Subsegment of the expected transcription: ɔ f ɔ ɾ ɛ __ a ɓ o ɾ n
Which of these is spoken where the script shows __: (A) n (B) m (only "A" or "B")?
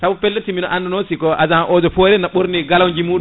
A